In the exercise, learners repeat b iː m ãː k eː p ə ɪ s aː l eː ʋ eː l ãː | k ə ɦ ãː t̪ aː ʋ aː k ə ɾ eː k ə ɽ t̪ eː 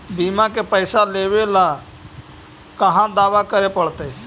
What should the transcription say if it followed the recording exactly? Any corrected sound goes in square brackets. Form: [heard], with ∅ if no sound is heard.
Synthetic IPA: b iː m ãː k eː p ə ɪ s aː l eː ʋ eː l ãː | k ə ɦ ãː [d̪] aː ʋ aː k ə ɾ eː [p] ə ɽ t̪ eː